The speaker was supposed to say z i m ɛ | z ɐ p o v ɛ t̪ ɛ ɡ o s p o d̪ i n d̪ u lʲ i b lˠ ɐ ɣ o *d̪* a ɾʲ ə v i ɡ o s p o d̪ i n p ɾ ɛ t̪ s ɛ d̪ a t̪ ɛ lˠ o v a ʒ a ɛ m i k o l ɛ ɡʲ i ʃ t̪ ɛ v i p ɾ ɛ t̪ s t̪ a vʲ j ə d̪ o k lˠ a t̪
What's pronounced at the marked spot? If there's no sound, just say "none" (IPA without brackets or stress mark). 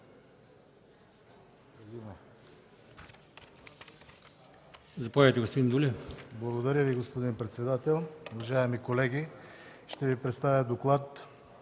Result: d̪